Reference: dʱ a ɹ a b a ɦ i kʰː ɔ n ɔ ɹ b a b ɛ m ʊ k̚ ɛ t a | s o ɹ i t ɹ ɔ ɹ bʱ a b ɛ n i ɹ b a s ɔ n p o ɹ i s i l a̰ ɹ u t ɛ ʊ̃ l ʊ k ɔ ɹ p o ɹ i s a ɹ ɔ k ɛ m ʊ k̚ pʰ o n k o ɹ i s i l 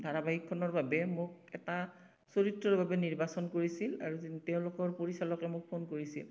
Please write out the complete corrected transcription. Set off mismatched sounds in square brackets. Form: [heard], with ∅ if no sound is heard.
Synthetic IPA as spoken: dʱ a ɹ a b a ɦ i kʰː ɔ n ɔ ɹ b a b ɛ m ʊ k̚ ɛ t a | s o ɹ i t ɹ ɔ ɹ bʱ a b ɛ n i ɹ b a s ɔ n [k] o ɹ i s i l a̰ ɹ u t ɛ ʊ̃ l ʊ k ɔ ɹ p o ɹ i s a [l] ɔ k ɛ m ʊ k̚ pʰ o n k o ɹ i s i l